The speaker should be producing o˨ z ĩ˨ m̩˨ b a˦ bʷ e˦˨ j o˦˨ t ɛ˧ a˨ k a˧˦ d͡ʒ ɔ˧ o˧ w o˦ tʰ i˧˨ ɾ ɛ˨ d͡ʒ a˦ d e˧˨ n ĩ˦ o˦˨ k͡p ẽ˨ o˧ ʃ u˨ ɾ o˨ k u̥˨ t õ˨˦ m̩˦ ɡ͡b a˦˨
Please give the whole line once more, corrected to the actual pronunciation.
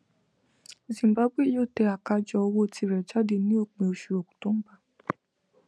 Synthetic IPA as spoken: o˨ z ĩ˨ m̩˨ b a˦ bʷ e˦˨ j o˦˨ t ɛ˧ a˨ k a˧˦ d͡ʒ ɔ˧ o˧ w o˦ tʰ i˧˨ ɾ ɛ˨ d͡ʒ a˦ d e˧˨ n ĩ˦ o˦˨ k͡p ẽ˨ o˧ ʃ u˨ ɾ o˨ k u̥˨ t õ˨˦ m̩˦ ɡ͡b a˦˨